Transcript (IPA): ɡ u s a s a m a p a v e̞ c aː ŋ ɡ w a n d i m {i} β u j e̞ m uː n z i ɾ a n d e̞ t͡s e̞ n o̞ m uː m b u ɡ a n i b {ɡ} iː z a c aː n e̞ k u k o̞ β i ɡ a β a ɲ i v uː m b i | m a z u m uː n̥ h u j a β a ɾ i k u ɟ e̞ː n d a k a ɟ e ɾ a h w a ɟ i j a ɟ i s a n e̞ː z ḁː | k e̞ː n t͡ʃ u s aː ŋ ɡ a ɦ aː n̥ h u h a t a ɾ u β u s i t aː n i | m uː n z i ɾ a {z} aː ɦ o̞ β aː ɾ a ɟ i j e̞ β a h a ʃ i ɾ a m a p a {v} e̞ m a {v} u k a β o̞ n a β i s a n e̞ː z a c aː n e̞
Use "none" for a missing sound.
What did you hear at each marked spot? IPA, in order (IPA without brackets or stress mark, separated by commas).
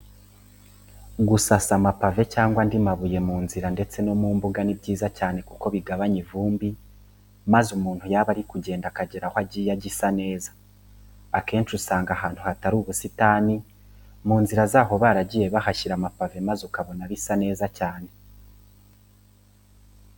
a, ɟ, z, v, z